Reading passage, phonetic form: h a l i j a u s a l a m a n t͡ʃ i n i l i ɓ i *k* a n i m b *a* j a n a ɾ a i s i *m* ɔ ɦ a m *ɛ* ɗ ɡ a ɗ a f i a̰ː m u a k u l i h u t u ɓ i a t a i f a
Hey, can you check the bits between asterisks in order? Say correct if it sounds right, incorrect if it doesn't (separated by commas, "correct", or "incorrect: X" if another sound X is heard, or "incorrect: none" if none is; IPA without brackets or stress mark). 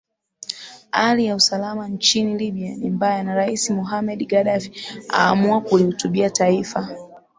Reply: incorrect: none, correct, correct, correct